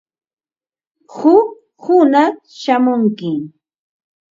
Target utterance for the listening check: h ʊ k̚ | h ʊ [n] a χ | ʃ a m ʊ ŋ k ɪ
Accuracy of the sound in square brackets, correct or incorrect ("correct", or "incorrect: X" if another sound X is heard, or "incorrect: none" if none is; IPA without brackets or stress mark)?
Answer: correct